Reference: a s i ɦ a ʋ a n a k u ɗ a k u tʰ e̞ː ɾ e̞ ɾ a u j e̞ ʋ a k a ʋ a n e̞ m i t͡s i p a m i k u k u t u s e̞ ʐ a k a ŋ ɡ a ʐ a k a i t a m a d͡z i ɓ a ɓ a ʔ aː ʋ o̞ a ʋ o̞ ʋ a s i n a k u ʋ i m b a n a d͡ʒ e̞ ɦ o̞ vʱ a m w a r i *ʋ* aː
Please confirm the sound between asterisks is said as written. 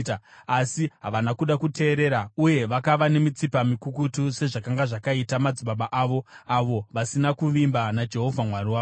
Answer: no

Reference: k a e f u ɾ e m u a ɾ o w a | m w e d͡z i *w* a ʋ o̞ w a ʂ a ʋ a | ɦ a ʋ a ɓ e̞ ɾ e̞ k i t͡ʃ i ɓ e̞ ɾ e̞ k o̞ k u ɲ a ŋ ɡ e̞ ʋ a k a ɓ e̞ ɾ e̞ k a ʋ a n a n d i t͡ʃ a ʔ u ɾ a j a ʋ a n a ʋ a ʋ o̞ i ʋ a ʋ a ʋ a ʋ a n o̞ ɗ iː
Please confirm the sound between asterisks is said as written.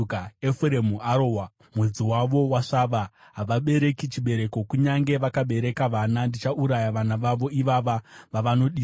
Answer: yes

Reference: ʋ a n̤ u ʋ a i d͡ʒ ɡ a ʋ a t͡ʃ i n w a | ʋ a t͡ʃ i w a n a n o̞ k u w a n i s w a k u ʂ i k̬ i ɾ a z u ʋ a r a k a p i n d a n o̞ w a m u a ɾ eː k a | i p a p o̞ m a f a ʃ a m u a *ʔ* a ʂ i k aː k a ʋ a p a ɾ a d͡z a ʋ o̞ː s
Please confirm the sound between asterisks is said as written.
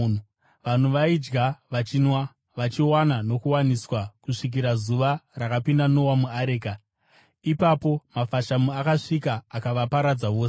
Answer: no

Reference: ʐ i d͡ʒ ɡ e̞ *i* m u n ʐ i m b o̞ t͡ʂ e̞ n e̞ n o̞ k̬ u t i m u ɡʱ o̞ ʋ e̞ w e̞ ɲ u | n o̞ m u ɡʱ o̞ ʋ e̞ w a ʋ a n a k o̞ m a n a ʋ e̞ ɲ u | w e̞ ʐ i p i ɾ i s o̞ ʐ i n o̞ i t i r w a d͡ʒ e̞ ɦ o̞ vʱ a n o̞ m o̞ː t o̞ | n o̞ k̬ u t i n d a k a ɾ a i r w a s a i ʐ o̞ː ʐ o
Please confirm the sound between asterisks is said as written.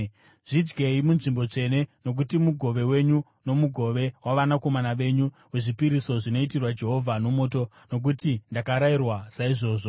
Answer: yes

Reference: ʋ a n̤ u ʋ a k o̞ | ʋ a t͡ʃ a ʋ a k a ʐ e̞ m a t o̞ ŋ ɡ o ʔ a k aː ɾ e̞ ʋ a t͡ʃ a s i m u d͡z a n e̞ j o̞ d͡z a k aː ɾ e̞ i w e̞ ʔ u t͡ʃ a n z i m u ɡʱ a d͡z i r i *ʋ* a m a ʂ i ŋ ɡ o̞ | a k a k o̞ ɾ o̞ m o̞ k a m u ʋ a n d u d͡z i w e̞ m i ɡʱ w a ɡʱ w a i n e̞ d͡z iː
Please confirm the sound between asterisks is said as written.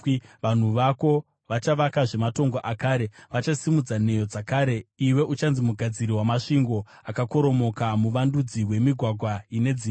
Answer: no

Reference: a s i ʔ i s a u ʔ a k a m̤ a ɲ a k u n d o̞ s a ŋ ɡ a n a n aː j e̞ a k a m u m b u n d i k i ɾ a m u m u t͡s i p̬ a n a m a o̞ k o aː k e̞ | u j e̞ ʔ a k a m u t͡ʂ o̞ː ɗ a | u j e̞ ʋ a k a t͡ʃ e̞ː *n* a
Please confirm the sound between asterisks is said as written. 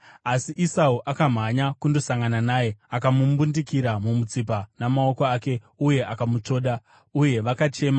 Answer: no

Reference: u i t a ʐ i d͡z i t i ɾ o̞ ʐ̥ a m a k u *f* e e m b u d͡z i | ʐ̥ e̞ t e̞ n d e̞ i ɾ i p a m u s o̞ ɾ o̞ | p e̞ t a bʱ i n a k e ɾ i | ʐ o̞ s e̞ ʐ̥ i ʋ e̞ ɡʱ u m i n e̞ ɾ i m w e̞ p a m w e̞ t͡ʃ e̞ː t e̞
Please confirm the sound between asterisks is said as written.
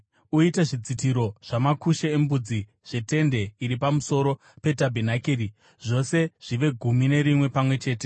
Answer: no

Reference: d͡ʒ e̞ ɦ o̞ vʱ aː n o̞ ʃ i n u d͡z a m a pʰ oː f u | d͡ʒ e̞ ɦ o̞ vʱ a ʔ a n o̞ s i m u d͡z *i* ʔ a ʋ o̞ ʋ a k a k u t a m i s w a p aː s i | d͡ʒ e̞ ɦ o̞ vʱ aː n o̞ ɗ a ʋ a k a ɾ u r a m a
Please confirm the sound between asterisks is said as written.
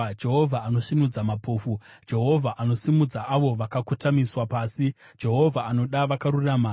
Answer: no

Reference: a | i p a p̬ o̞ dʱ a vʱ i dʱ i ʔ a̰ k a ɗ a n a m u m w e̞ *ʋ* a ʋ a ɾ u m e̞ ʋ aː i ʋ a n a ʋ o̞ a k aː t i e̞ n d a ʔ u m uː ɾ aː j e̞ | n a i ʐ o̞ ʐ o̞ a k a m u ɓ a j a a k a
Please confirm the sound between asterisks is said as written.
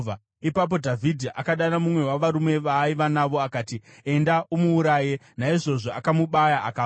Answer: no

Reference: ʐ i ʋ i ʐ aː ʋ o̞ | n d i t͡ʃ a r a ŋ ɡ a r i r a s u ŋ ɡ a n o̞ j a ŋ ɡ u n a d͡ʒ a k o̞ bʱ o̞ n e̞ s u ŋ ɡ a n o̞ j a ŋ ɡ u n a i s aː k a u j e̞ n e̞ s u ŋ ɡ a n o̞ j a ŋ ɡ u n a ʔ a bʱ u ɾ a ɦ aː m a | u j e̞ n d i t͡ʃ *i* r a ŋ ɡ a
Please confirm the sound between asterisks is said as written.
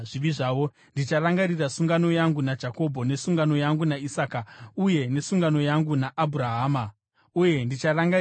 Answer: no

